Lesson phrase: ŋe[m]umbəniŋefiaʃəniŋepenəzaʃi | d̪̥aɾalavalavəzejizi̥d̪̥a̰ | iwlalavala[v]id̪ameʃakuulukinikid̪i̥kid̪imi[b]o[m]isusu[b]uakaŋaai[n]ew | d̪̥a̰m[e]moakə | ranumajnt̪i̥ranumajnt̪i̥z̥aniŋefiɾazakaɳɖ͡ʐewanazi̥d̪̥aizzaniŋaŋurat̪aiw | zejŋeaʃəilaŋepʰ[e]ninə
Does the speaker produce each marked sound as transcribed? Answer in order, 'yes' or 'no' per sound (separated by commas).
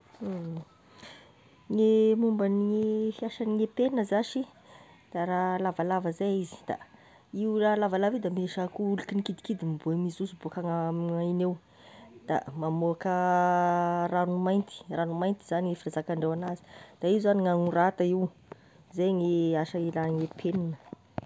yes, yes, yes, yes, yes, yes, no, yes